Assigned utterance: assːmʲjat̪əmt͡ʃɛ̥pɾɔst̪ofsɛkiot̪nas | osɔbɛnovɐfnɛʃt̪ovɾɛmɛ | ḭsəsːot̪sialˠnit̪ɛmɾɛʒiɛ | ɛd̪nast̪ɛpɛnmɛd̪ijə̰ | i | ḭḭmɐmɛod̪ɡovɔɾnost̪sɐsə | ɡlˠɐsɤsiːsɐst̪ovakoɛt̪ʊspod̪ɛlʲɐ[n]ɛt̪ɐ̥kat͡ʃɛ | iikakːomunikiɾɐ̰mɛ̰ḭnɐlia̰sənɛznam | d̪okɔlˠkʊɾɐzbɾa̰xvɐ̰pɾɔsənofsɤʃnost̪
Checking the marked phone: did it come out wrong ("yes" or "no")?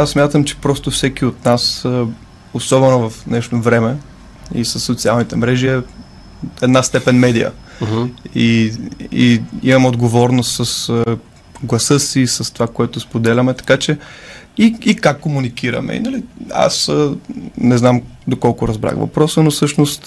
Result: yes